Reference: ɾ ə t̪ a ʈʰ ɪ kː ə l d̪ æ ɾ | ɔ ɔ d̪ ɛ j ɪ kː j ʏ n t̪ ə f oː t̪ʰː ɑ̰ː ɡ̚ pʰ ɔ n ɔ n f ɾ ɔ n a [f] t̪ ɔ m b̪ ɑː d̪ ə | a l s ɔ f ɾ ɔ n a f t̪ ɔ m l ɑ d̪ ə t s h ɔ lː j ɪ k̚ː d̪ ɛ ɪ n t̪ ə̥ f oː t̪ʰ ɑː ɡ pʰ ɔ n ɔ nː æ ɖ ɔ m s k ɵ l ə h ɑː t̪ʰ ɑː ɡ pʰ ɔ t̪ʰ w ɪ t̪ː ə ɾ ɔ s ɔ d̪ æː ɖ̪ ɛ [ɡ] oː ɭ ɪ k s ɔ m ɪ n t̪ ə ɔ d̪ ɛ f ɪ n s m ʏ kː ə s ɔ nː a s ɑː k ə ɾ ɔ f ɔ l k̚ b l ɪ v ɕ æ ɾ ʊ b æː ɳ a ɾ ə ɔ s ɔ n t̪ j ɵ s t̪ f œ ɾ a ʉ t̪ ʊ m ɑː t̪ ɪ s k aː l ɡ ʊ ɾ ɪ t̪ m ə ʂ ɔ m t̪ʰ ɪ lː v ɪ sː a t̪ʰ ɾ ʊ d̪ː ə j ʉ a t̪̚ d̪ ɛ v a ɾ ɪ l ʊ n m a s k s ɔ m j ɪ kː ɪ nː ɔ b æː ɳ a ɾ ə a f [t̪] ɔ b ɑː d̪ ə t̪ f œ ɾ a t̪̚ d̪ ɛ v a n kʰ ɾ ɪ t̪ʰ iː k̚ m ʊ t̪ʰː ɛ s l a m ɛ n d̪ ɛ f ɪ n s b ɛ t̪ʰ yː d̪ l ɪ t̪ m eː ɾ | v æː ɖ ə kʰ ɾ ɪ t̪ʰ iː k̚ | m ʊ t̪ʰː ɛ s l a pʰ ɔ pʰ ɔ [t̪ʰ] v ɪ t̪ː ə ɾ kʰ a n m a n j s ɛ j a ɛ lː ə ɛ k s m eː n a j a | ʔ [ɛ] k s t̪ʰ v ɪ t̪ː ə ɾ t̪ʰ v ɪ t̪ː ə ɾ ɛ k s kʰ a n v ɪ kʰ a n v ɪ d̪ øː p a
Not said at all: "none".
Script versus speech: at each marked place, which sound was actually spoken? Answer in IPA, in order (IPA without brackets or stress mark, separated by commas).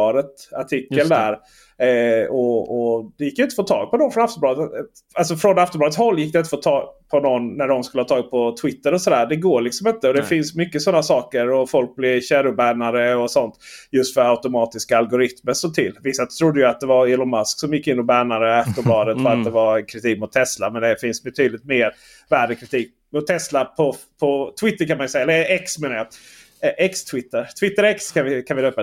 f, ɡ, t̪, t̪ʰ, ɛ